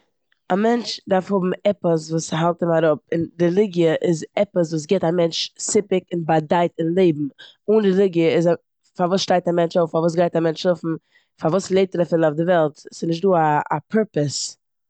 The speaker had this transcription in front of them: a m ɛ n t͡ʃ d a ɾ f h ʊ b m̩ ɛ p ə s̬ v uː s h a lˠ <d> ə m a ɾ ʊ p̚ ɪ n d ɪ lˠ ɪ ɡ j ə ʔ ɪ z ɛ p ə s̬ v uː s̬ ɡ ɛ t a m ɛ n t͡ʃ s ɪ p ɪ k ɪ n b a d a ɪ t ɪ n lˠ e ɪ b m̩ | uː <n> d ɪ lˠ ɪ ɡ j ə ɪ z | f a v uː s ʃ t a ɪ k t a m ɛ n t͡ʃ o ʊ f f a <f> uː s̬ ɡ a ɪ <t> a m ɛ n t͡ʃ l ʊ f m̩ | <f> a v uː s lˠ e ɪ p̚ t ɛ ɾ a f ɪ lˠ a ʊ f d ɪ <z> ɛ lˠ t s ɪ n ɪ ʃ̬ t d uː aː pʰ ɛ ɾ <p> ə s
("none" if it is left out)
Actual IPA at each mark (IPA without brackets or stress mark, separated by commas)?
t, n, v, t, f, v, p